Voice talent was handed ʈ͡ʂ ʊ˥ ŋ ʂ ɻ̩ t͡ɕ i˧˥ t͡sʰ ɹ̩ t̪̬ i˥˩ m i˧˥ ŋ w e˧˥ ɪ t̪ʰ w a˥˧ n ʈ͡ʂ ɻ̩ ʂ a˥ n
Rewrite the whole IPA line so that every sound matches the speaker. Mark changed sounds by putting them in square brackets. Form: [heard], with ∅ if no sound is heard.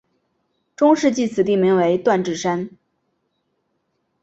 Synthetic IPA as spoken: ʈ͡ʂ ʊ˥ ŋ ʂ ɻ̩ t͡ɕ [i˥˩] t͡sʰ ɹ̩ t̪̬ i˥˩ m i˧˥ ŋ w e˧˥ ɪ [t̪] w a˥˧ n ʈ͡ʂ ɻ̩ ʂ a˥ n